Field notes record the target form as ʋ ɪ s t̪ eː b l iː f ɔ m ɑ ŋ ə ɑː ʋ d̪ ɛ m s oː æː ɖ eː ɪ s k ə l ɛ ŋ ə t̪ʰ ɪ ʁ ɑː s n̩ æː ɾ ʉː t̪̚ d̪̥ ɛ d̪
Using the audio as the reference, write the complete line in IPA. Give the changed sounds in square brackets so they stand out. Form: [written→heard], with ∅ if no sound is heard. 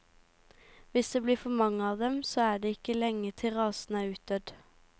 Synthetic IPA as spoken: ʋ ɪ s [t̪→d̪] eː b l iː f ɔ m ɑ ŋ ə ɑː ʋ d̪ ɛ m s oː æː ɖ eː ɪ [s→∅] k ə l ɛ ŋ ə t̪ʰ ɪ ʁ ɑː s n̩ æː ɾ ʉː t̪̚ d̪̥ [ɛ→œ] d̪